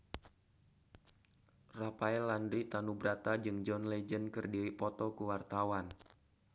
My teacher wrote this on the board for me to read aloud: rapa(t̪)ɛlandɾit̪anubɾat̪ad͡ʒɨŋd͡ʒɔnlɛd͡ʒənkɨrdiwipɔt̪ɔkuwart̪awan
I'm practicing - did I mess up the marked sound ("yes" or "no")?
yes